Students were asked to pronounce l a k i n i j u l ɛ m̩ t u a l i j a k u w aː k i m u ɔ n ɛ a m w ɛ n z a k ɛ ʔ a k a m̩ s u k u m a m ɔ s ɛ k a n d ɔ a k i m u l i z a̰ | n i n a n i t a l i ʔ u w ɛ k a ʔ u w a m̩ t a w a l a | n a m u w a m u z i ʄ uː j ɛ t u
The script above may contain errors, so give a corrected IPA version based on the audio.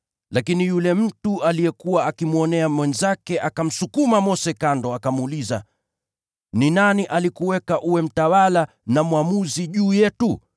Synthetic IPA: l a k i n i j u l ɛ m̩ t u a l i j ɛ k u w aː k i m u ɔ n ɛ a m w ɛ n z a k ɛ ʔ a k a m̩ s u k u m a m ɔ s ɛ k a n d ɔ a k a m u l i z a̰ | n i n a n i ʔ a l i k u w ɛ k a ʔ u w ɛ m̩ t a w a l a | n a m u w a m u z i ʄ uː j ɛ t u